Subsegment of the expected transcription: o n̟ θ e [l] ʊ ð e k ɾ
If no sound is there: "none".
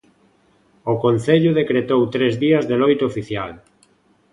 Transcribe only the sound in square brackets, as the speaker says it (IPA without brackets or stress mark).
ʎ